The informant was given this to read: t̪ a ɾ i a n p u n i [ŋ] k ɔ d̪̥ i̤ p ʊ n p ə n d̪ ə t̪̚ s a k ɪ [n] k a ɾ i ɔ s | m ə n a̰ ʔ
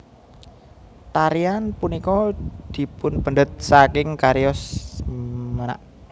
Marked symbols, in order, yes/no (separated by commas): no, no